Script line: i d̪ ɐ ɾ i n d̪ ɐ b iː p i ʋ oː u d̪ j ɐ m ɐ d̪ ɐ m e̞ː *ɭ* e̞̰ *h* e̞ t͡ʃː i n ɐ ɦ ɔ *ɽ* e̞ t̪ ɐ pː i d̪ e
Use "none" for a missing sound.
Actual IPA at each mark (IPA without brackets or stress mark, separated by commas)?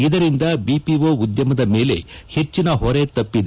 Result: l, h, ɾ